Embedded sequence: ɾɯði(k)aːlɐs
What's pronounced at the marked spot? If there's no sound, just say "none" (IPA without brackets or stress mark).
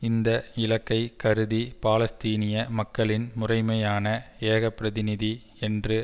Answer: p